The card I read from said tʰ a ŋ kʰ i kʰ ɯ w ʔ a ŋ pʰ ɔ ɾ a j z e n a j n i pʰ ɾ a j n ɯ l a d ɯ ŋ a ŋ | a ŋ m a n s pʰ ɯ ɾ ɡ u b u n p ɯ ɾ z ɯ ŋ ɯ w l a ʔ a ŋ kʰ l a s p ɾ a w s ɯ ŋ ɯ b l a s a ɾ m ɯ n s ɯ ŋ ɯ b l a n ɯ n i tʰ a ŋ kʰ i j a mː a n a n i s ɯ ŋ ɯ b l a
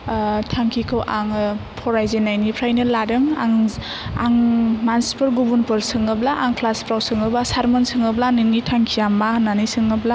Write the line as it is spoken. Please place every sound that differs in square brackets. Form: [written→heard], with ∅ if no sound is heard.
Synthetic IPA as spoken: tʰ a ŋ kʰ i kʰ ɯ w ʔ a ŋ pʰ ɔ ɾ a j z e n a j n i pʰ ɾ a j n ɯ l a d ɯ ŋ a ŋ | a ŋ m a n s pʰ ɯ ɾ ɡ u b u n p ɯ ɾ [z→s] ɯ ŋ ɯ [w→b] l a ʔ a ŋ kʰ l a s p ɾ a w s ɯ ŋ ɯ b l a s a ɾ m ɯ n s ɯ ŋ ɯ b l a n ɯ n i tʰ a ŋ kʰ i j a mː a n a n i s ɯ ŋ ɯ b l a